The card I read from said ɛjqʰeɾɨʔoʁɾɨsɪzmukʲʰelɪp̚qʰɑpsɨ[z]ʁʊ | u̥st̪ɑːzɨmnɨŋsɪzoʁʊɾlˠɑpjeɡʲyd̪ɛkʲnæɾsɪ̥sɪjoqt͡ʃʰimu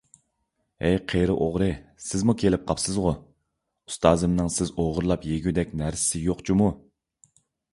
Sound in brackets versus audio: correct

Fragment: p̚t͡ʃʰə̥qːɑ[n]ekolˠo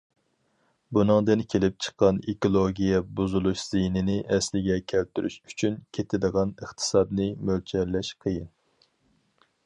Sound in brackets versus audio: correct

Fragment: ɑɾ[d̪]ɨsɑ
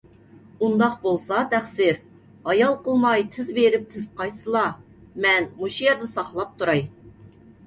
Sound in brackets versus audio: correct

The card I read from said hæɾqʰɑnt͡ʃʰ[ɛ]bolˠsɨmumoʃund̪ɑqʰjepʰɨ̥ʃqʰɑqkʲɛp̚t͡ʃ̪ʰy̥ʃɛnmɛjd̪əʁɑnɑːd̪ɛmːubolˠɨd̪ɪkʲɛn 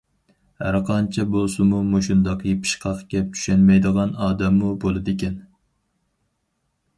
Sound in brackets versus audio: correct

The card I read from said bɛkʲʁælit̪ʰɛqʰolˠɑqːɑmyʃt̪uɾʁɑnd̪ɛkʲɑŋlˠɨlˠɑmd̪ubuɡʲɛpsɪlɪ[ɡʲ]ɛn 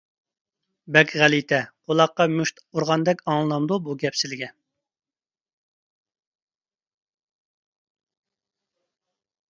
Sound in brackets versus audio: correct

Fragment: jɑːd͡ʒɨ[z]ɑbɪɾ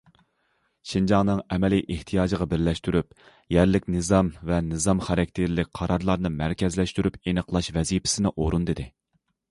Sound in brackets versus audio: incorrect: ʁ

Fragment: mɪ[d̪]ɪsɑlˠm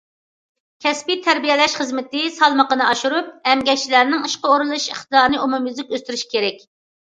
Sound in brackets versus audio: incorrect: t̪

